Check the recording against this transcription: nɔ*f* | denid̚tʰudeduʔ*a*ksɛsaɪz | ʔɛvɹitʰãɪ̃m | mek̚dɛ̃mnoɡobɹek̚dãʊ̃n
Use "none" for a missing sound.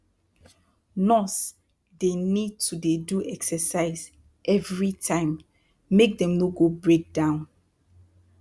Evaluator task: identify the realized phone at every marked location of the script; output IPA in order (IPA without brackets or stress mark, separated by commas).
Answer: s, ɛ